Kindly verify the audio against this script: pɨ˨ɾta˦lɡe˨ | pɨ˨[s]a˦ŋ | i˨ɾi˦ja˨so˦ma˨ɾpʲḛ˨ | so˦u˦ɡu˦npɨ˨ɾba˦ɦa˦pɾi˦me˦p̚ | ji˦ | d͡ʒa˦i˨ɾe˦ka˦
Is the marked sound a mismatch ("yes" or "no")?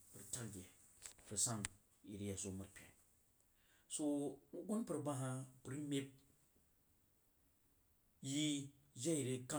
no